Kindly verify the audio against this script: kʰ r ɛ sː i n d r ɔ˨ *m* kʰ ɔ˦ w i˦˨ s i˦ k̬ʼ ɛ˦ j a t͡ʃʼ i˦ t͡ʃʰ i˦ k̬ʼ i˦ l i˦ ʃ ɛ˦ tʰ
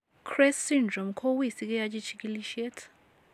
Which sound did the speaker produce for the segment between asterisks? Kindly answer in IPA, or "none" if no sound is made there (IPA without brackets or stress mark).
m